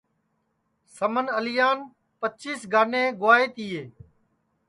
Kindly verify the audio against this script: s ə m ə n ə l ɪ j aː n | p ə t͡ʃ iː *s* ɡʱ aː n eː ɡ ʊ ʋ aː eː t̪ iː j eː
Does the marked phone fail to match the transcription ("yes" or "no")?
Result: no